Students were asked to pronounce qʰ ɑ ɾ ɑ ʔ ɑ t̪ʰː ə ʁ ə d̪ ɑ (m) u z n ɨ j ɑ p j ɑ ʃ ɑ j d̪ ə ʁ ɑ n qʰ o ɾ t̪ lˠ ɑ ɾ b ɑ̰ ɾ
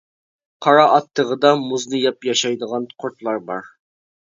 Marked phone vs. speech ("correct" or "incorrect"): correct